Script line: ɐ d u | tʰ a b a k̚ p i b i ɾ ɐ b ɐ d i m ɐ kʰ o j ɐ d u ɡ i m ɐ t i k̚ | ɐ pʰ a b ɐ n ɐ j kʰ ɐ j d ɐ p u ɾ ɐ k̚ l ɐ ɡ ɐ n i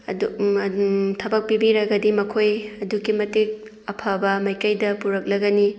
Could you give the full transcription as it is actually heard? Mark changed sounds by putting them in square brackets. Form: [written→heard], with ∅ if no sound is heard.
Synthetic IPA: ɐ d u | tʰ [a→ɐ] b [a→ɐ] k̚ p i b i ɾ ɐ [b→ɡ] ɐ d i m ɐ kʰ o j ɐ d u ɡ i m ɐ t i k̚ | ɐ pʰ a b ɐ [n→m] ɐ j [kʰ→k] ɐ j d ɐ p u ɾ ɐ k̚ l ɐ ɡ ɐ n i